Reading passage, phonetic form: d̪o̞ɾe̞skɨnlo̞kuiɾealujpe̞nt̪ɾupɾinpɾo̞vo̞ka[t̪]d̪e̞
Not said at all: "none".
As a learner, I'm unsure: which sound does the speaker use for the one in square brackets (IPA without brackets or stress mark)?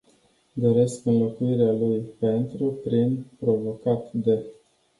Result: t̪